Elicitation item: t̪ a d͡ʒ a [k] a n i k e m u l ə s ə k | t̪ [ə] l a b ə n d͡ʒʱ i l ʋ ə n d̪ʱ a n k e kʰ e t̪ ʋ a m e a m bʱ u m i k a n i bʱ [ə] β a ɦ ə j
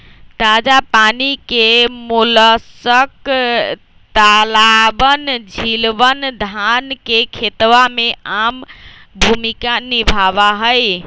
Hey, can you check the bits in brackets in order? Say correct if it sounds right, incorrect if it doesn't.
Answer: incorrect: p, incorrect: a, incorrect: a

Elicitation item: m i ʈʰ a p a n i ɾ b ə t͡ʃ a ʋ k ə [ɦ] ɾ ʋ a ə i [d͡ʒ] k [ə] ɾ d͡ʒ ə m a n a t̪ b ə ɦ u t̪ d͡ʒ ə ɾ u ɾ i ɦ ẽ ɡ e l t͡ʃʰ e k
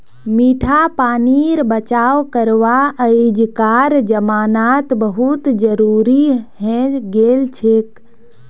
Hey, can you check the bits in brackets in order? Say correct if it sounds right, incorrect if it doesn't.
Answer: incorrect: none, correct, incorrect: a

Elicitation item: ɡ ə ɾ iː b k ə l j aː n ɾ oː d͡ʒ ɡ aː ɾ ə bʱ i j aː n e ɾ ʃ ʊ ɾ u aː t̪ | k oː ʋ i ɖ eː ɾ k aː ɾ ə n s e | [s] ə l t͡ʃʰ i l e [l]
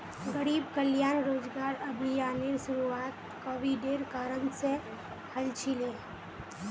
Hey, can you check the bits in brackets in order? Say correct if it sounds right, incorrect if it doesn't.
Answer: incorrect: h, incorrect: none

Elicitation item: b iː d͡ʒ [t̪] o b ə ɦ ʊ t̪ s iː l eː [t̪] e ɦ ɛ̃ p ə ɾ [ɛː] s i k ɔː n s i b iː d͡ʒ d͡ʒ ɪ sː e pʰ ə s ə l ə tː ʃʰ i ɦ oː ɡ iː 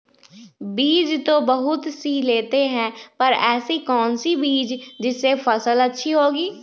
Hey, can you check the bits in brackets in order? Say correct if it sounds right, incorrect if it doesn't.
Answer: correct, correct, correct

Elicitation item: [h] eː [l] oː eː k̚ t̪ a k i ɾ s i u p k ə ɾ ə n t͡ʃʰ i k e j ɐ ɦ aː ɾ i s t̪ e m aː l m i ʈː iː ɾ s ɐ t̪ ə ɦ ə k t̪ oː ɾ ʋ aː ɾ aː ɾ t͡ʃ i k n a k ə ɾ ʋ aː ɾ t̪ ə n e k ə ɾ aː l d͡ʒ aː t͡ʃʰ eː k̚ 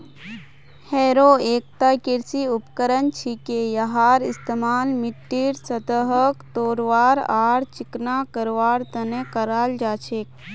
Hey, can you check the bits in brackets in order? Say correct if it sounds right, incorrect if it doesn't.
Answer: correct, incorrect: ɾ

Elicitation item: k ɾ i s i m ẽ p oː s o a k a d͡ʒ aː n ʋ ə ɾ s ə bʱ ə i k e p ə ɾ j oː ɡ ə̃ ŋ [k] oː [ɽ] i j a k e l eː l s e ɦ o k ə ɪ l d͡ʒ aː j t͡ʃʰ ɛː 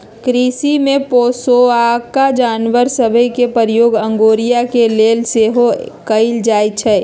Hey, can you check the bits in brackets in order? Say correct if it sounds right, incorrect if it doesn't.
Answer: incorrect: ɡ, incorrect: ɾ

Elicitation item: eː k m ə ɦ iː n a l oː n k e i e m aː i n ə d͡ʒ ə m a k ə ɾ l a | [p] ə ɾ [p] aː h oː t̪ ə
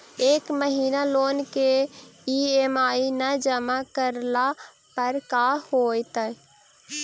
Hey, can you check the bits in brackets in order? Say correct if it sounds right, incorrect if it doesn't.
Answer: correct, incorrect: k

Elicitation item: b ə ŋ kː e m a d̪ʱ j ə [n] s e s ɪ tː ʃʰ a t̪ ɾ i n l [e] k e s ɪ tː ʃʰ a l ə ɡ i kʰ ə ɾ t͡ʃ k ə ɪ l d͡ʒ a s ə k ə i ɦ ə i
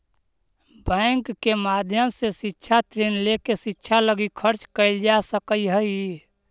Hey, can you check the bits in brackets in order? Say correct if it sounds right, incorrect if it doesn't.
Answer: incorrect: m, correct

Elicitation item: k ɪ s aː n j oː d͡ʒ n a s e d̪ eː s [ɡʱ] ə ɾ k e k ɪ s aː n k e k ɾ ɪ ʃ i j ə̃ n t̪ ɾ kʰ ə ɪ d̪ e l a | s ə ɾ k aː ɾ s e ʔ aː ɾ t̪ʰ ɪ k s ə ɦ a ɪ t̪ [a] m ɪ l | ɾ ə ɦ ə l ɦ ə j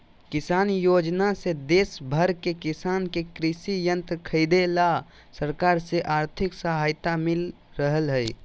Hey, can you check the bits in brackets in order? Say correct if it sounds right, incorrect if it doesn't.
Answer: incorrect: bʱ, correct

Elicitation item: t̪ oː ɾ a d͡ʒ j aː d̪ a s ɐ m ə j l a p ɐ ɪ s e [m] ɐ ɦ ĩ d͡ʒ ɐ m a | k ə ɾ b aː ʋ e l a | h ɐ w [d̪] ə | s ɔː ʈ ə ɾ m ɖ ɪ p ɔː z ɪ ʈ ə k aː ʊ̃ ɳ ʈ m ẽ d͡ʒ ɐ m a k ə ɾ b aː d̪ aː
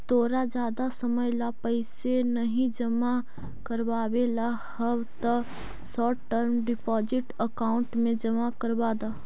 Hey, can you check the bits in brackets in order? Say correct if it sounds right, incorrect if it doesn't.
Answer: incorrect: n, incorrect: t̪

